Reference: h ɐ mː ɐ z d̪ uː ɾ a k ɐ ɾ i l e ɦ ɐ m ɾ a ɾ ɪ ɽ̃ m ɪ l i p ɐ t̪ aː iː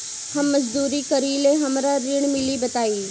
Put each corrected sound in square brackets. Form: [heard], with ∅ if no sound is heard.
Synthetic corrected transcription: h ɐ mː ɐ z d̪ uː ɾ [i] k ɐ ɾ i l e ɦ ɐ m ɾ a ɾ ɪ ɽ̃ m ɪ l i [b] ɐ t̪ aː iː